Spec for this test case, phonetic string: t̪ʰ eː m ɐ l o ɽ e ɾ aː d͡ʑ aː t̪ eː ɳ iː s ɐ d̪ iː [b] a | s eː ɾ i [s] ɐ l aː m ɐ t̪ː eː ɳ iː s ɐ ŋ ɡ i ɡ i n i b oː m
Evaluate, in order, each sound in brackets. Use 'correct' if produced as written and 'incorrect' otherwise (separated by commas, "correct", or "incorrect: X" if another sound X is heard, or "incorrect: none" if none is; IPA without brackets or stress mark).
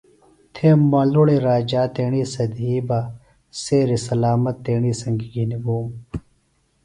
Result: correct, correct